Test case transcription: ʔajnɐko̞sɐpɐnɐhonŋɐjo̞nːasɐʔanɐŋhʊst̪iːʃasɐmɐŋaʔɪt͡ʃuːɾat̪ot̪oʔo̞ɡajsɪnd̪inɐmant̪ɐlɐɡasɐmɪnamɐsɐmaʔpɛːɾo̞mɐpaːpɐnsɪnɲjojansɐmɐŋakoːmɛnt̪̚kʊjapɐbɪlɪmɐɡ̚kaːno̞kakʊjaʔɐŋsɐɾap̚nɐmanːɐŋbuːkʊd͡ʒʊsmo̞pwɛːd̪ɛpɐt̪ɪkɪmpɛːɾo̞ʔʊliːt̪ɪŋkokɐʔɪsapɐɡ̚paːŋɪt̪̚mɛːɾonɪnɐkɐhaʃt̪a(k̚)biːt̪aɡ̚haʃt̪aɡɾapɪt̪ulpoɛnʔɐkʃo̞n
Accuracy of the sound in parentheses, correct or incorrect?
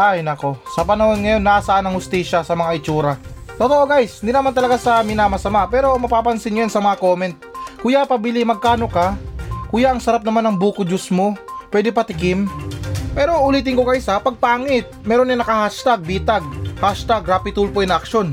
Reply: incorrect